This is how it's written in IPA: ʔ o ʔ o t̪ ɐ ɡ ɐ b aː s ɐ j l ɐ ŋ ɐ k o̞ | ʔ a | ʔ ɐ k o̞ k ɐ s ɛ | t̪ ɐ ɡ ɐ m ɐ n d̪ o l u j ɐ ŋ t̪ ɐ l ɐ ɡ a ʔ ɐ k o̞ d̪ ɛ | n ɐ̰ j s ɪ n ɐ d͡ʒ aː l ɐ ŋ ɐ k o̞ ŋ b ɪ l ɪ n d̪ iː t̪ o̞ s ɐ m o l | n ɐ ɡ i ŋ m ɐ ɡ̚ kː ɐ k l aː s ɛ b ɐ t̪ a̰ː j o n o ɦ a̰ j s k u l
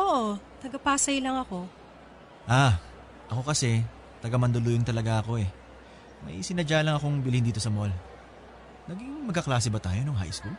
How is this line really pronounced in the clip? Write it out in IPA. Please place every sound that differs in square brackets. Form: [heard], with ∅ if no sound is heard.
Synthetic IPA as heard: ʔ o ʔ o t̪ ɐ ɡ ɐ [p] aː s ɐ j l ɐ ŋ ɐ k o̞ | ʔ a | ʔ ɐ k o̞ k ɐ s ɛ | t̪ ɐ ɡ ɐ m ɐ n d̪ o l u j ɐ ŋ t̪ ɐ l ɐ ɡ a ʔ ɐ k o̞ [∅] ɛ | [m] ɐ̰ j s ɪ n ɐ d͡ʒ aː l ɐ ŋ ɐ k o̞ ŋ b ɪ l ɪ n d̪ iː t̪ o̞ s ɐ m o l | n ɐ ɡ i ŋ m ɐ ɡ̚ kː ɐ k l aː s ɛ b ɐ t̪ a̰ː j o n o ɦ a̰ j s k u l